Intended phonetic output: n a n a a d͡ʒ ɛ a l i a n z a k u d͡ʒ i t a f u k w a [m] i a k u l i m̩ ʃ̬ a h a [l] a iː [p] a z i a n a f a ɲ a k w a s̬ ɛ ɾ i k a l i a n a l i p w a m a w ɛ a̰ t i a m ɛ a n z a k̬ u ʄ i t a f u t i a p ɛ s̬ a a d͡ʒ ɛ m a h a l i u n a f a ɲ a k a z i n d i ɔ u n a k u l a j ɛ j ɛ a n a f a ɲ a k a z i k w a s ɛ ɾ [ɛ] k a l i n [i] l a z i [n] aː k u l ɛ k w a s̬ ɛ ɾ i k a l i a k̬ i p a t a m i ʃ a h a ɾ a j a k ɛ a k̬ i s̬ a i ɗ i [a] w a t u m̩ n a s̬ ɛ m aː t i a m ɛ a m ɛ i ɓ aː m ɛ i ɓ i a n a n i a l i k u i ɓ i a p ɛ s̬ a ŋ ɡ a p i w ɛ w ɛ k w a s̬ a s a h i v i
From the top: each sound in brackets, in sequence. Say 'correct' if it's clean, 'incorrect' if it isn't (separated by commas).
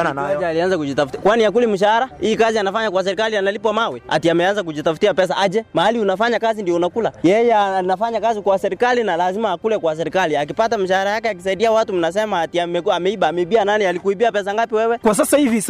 incorrect, incorrect, incorrect, incorrect, incorrect, incorrect, correct